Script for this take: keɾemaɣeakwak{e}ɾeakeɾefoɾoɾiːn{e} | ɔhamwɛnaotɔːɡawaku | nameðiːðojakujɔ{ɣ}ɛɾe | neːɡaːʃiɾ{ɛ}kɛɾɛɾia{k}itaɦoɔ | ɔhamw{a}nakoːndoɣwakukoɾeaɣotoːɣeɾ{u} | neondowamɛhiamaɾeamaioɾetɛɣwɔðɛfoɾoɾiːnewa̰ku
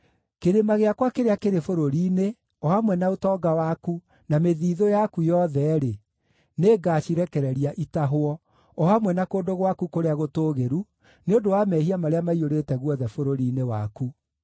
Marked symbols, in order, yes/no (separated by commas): yes, yes, no, yes, no, no, yes